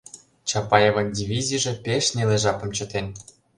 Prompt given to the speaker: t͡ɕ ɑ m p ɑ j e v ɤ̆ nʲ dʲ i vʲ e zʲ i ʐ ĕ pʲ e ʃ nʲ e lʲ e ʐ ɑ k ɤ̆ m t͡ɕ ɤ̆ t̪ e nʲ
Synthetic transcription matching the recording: t͡ɕ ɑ p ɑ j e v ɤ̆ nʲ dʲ i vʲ i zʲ i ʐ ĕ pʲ e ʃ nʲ e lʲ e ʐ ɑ p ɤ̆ m t͡ɕ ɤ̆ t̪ e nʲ

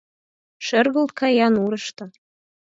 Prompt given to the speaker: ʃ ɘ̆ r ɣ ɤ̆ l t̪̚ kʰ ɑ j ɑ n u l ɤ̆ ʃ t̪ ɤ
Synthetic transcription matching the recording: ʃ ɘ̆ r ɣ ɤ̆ l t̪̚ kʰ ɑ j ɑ n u ɾ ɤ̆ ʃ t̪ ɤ

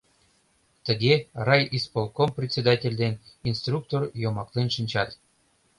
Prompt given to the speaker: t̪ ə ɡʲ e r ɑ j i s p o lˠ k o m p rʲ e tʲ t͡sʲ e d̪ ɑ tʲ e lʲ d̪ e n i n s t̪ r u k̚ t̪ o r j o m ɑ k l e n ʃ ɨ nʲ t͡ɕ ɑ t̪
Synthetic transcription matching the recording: t̪ ə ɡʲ e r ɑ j i s p o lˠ k o m p rʲ e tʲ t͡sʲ e d̪ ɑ tʲ e lʲ d̪ e n i n s t̪ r u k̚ t̪ o r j o m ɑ k l e n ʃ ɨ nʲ t͡ɕ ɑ t̪

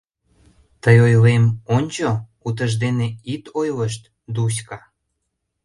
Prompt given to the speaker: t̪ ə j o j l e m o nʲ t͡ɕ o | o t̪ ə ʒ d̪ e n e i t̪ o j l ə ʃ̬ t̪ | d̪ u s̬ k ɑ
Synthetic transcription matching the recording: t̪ ə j o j l e m o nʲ t͡ɕ o | u t̪ ə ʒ d̪ e n e i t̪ o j l ə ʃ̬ t̪ | d̪ u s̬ k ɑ

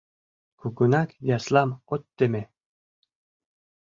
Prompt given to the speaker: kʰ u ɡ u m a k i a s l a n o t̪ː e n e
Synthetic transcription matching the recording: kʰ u ɡ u n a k j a s l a m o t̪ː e m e

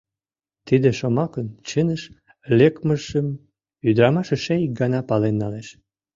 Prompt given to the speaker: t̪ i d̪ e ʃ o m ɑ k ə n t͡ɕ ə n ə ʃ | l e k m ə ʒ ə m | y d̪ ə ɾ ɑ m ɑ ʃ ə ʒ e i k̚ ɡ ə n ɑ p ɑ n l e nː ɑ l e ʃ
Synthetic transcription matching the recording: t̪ i d̪ e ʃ o m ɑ k ə n t͡ɕ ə n ə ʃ | l e k m ə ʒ ə m | y d̪ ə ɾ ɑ m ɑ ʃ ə ʃ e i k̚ ɡ ɑ n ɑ p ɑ l e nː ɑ l e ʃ

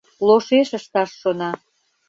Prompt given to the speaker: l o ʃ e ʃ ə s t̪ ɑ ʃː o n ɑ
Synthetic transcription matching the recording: l o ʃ e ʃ ə ʃ t̪ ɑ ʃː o n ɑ

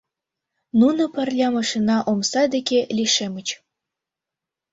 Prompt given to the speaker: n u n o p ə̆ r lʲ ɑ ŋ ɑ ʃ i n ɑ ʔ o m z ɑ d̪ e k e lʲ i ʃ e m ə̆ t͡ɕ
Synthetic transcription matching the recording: n u n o p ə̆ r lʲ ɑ m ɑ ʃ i n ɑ ʔ o m s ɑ d̪ e k e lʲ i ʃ e m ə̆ t͡ɕ

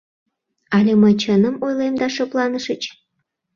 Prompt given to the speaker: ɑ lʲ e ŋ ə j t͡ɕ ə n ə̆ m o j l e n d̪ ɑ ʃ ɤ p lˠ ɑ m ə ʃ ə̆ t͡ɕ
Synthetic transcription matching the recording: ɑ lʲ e m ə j t͡ɕ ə n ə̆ m o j l e m d̪ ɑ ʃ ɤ p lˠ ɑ n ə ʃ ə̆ t͡ɕ

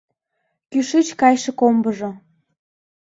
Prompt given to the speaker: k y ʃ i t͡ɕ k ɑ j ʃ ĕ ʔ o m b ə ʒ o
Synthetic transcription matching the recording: k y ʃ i t͡ɕ k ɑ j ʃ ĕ k o m b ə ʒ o

